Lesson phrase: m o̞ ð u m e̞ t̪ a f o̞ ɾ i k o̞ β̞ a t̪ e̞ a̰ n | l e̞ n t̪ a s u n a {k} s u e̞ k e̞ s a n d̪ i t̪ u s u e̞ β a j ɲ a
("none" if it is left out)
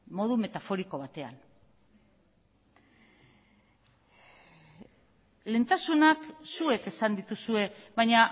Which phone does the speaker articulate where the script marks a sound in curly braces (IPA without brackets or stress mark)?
k